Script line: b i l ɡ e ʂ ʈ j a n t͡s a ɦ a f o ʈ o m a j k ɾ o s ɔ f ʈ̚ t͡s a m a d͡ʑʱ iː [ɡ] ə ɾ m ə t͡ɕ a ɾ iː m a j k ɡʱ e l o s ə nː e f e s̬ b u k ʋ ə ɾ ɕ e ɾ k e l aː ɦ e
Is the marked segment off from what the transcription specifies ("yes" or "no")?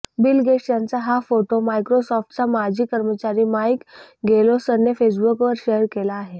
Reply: yes